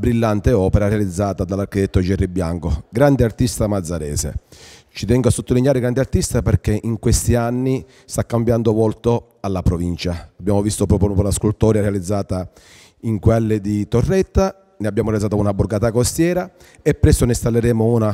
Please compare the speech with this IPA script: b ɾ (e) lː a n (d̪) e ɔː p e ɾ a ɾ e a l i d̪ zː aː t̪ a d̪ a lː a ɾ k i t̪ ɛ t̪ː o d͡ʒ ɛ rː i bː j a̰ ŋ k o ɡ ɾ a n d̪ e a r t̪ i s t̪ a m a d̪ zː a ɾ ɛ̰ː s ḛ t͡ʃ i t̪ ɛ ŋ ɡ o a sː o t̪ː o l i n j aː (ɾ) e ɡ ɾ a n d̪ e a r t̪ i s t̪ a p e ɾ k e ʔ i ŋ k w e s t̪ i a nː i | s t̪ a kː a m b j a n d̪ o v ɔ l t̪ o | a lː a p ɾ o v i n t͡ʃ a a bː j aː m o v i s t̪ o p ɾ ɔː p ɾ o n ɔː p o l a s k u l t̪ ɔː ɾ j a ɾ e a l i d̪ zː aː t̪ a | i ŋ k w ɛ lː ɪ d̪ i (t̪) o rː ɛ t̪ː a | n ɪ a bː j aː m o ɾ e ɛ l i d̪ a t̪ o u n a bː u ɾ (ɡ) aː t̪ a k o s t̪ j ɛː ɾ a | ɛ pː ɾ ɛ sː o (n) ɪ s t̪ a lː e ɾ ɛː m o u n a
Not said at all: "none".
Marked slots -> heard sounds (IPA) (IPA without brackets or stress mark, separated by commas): i, t̪, ɾ, t̪, ɡ, n